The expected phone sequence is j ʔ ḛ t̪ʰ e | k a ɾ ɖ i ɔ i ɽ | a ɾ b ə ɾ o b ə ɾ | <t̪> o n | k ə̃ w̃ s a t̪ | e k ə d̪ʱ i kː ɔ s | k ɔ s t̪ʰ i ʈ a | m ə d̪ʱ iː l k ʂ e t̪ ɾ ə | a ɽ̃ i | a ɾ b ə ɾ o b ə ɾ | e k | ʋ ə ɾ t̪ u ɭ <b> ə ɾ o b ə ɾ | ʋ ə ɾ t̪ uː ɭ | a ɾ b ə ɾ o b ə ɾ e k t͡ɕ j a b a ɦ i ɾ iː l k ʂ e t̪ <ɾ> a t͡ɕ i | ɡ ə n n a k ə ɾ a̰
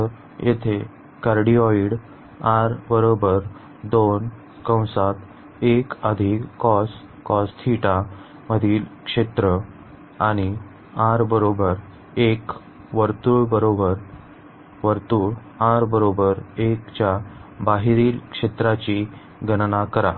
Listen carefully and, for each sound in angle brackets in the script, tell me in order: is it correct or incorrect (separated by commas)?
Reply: incorrect, correct, correct